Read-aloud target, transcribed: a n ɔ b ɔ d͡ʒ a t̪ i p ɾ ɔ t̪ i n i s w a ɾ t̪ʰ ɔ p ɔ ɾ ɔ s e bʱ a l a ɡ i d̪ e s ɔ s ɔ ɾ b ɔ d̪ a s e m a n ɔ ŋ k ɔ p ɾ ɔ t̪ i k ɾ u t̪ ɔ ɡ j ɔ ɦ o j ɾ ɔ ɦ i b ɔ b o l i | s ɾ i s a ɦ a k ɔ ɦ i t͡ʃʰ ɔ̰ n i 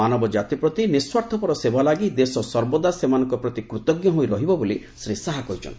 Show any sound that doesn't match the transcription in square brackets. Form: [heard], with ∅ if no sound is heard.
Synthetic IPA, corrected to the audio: a n ɔ b ɔ d͡ʒ a t̪ i p ɾ ɔ t̪ i n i s w a ɾ t̪ʰ ɔ p ɔ ɾ ɔ s e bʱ a l a ɡ i d̪ e s ɔ s ɔ ɾ b ɔ d̪ a s e m a n ɔ ŋ k ɔ p ɾ ɔ t̪ i k ɾ u t̪ ɔ ɡ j ɔ ɦ o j ɾ ɔ ɦ i b ɔ b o l i | s ɾ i s a ɦ a k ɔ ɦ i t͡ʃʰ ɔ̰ n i